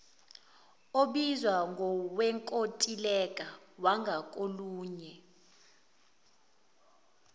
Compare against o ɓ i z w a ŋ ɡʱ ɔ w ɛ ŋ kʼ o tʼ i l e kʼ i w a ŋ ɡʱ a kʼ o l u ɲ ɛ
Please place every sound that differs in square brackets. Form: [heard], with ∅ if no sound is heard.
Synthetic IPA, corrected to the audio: o ɓ i z w a ŋ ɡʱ ɔ w ɛ ŋ kʼ o tʼ i l [ɛ] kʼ [a] w a ŋ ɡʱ a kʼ o l [uː] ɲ ɛ